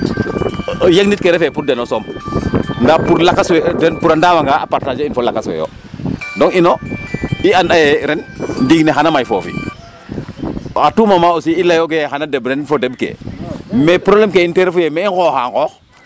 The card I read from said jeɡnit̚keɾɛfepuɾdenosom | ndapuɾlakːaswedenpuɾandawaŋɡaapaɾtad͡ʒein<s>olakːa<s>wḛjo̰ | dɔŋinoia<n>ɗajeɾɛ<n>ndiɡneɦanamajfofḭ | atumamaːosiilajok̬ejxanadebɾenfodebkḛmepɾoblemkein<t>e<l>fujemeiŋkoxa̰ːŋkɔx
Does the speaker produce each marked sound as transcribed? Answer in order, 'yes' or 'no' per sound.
no, yes, yes, yes, yes, no

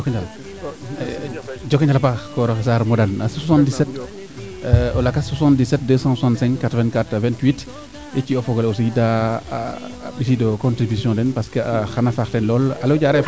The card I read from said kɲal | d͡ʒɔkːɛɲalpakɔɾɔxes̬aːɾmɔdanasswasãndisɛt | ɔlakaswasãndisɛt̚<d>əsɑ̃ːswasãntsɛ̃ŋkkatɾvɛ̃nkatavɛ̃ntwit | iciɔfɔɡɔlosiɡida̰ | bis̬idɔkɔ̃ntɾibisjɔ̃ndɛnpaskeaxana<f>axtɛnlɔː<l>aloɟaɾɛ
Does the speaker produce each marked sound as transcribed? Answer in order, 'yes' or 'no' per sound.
yes, yes, yes

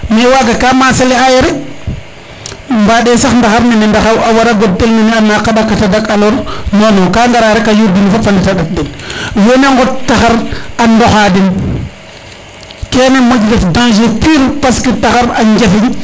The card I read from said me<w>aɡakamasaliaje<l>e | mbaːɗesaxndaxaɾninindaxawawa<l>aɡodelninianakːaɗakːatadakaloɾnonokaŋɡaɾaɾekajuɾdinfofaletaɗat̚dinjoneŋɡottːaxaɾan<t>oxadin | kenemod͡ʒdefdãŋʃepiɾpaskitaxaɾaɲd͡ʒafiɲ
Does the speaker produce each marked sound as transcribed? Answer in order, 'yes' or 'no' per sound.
yes, no, no, no

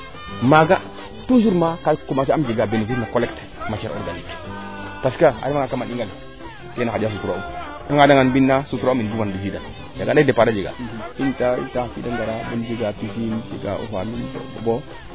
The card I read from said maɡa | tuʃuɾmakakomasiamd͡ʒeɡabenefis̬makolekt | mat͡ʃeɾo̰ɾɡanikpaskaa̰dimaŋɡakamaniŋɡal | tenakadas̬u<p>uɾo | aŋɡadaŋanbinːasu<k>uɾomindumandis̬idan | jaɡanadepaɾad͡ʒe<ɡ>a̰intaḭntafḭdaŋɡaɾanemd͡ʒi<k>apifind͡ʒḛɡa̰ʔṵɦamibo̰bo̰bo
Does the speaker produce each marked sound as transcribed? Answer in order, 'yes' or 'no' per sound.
no, no, yes, no

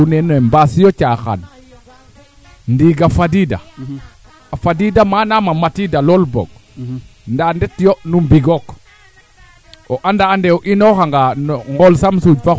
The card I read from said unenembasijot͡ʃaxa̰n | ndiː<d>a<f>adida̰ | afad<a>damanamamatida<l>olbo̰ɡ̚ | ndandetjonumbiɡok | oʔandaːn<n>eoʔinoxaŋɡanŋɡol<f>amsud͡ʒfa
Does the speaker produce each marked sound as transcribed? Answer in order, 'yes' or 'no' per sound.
no, yes, no, yes, no, no

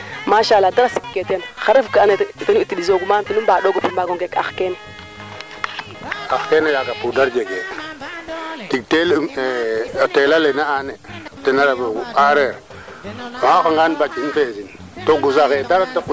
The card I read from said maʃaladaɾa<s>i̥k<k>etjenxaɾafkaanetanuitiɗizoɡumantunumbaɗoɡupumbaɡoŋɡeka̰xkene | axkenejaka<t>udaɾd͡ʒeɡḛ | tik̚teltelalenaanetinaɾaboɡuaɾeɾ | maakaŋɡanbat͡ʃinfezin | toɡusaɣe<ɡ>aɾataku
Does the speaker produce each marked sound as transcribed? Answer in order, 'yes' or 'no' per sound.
yes, yes, no, no

